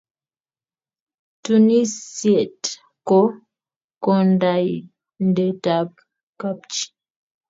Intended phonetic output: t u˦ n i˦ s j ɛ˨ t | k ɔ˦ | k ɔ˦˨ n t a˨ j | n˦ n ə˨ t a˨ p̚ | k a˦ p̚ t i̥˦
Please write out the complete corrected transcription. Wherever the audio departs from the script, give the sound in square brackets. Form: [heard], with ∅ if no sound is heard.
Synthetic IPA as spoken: t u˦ n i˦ s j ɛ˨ t | k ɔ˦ | k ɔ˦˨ n [d] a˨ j | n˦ [d] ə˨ t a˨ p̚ | k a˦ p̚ [t͡ʃ] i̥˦